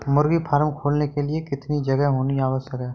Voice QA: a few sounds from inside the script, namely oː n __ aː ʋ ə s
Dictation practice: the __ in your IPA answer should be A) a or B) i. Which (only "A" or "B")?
B